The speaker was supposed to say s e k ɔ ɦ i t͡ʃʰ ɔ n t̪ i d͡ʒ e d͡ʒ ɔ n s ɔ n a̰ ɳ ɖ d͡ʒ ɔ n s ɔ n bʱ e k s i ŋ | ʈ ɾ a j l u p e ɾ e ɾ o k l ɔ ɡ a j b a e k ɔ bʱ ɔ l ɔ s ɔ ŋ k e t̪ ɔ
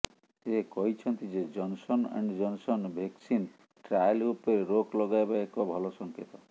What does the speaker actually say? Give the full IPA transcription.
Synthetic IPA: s e k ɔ ɦ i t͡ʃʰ ɔ n t̪ i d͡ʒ e d͡ʒ ɔ n s ɔ n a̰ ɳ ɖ d͡ʒ ɔ n s ɔ n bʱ e k s i n | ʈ ɾ a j l u p e ɾ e ɾ o k l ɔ ɡ a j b a e k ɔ bʱ ɔ l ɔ s ɔ ŋ k e t̪ ɔ